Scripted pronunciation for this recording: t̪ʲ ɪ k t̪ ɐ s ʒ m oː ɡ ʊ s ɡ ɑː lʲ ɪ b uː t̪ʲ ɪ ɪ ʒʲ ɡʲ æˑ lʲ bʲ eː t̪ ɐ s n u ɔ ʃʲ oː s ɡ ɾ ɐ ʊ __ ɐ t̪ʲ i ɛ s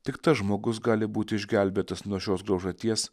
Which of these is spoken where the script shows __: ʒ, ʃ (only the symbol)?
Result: ʒ